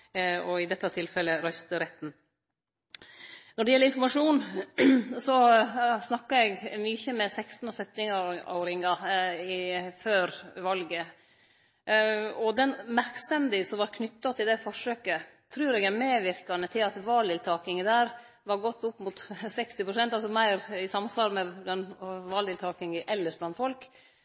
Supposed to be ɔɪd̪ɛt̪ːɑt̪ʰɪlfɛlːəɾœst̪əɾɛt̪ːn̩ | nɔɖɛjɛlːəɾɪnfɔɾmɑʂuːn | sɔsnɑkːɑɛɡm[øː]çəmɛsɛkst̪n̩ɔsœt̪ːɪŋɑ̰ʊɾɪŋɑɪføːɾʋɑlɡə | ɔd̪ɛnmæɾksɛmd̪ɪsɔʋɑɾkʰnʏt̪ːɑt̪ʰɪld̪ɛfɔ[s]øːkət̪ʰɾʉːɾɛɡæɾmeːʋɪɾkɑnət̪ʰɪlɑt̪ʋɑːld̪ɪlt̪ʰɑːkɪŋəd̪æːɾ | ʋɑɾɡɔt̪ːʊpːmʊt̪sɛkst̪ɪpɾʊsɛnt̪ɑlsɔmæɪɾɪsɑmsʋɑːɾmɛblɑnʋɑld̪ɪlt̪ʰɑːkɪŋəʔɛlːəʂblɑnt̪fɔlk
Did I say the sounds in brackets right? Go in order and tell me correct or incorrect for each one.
incorrect: yː, incorrect: ʂ

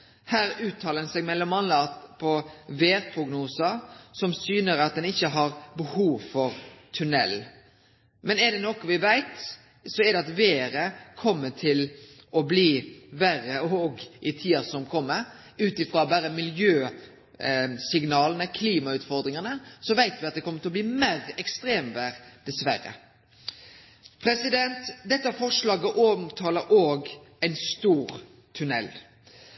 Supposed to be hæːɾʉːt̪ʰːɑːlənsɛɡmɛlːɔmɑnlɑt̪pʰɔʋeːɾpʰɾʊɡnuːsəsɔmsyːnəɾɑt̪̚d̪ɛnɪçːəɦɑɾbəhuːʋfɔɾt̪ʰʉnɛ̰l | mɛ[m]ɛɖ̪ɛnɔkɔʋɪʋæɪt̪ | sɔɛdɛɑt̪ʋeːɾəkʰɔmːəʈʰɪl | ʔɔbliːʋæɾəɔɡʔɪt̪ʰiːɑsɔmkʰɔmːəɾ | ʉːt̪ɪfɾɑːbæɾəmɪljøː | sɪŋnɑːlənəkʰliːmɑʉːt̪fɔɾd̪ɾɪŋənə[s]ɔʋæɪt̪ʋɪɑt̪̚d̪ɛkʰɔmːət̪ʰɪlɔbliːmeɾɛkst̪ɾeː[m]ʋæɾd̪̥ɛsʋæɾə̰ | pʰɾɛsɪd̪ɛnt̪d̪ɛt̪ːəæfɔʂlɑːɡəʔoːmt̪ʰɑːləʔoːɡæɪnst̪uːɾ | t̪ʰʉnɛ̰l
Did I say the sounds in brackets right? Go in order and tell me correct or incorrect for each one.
incorrect: n, correct, correct

